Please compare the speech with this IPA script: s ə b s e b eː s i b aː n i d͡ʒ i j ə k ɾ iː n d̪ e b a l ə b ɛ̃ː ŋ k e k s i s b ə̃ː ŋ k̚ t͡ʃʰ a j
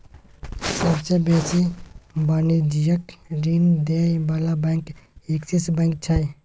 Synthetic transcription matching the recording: s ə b s e b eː s i b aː n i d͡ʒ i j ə k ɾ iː n d̪ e b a l a b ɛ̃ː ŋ k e k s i s b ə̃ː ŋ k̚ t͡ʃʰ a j